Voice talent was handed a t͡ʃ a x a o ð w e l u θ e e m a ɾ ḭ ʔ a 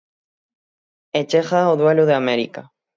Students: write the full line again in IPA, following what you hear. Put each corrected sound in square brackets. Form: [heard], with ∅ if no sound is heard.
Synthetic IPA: [e] t͡ʃ [e] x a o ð w e l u [ð] e [a] m [e] ɾ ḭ [k] a